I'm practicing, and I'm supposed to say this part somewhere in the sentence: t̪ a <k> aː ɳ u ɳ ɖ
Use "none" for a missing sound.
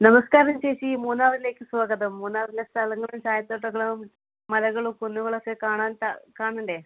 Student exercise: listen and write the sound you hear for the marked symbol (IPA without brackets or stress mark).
k